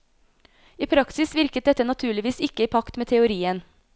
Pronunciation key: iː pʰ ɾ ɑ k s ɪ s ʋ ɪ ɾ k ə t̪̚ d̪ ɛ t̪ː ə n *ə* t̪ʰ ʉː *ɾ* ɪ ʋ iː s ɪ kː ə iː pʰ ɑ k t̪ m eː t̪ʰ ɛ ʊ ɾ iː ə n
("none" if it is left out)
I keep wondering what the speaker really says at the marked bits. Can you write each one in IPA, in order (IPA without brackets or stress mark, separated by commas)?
ɑ, ɭ